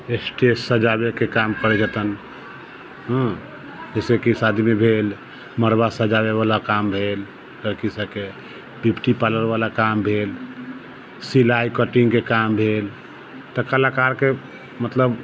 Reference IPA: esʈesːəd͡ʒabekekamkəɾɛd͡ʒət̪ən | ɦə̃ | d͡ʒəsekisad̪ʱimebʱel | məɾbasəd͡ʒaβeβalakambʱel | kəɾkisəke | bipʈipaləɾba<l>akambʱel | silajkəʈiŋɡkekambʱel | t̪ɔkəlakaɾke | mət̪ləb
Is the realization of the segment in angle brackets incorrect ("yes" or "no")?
no